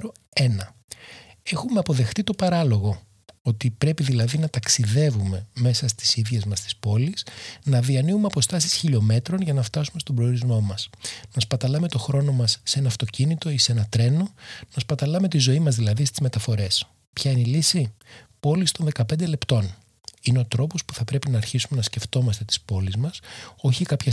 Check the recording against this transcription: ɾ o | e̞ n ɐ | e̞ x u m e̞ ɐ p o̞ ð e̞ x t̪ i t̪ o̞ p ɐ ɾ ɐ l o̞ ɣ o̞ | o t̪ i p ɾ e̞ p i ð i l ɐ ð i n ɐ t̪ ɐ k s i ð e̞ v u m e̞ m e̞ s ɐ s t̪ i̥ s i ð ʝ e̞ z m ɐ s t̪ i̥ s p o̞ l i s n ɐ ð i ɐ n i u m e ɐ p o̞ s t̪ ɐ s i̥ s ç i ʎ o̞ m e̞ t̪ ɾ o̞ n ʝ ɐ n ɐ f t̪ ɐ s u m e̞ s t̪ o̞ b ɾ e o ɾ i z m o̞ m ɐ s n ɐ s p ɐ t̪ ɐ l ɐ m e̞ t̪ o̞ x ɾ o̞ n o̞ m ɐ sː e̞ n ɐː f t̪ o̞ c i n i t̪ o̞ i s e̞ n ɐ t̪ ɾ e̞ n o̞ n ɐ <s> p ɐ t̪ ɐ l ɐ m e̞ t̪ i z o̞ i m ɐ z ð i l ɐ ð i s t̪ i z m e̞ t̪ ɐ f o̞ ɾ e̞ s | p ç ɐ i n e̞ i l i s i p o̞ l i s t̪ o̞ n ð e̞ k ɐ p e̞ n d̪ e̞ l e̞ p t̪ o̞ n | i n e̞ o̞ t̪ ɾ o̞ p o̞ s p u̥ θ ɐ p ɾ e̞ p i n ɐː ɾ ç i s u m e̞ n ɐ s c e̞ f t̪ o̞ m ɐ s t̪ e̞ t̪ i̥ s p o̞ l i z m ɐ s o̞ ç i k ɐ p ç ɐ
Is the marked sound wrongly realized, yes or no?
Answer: no